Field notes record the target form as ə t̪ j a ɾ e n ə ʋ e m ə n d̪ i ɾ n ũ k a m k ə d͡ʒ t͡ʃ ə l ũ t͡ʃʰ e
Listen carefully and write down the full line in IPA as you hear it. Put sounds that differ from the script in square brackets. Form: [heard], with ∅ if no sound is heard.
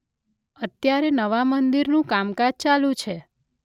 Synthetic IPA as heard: ə t̪ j a ɾ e n ə ʋ [a] m ə n d̪ i ɾ n ũ k a m k [a] d͡ʒ t͡ʃ [a] l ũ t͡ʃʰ e